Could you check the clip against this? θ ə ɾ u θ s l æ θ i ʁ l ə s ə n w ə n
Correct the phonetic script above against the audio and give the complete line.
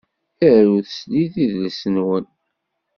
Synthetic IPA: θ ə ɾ u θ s l i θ i ð l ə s ə n w ə n